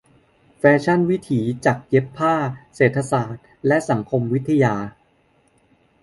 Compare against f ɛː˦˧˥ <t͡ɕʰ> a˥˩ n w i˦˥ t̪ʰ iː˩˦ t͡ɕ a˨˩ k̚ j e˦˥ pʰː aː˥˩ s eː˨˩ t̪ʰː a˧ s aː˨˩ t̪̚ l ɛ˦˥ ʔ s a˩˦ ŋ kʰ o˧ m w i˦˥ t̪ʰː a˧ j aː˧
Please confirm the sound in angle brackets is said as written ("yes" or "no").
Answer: yes